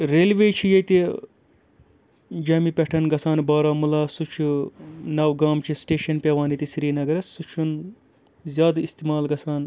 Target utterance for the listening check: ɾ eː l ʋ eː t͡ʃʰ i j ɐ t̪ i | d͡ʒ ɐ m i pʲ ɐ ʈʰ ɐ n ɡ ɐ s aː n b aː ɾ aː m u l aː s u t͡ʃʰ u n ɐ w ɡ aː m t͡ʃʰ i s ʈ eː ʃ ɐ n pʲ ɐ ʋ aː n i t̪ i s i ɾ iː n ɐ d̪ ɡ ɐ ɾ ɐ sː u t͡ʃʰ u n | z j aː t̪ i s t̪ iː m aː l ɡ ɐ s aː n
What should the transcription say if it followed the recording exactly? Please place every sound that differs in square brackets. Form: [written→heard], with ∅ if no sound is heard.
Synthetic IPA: ɾ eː l ʋ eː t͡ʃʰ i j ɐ t̪ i | d͡ʒ ɐ m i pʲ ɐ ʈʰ ɐ n ɡ ɐ s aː n b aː ɾ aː m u l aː s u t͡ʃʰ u n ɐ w ɡ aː m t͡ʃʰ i s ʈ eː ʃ ɐ n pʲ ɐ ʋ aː n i t̪ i s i ɾ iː n ɐ [d̪→∅] ɡ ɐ ɾ ɐ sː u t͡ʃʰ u n | z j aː [t̪→d̪] i s t̪ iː m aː l ɡ ɐ s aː n